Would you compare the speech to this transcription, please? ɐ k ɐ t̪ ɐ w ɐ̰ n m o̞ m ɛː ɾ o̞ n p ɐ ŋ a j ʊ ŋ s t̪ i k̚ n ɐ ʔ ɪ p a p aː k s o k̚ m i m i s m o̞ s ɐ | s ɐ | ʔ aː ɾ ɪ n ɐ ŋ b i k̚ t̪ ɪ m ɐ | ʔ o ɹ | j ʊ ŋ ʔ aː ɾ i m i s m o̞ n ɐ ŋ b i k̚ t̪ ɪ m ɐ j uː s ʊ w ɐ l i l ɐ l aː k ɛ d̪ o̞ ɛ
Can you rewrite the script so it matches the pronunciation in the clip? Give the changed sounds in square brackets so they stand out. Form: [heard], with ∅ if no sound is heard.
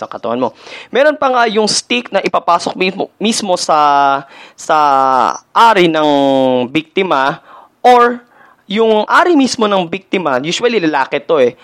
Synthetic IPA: ɐ k ɐ t̪ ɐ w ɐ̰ n m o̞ m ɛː ɾ o̞ n p ɐ ŋ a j ʊ ŋ s t̪ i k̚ n ɐ ʔ ɪ p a p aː [∅] s o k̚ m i m i s m o̞ s ɐ | s ɐ | ʔ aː ɾ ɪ n ɐ ŋ b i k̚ t̪ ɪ m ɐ | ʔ o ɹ | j ʊ ŋ ʔ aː ɾ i m i s m o̞ n ɐ ŋ b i k̚ t̪ ɪ m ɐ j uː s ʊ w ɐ l i l ɐ l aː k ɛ [t̪] o̞ ɛ